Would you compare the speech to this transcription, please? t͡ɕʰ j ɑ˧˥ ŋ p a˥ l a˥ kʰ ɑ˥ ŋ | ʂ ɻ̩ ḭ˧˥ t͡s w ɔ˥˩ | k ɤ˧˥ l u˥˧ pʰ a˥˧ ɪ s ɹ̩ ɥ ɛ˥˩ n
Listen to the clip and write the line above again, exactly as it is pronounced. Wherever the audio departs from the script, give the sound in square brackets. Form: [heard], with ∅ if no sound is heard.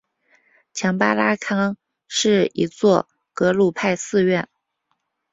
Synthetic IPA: t͡ɕʰ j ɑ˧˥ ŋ p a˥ l a˥ kʰ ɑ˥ ŋ | ʂ ɻ̩ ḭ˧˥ t͡s w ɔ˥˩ | k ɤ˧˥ l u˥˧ pʰ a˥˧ ɪ s ɹ̩ ɥ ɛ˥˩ n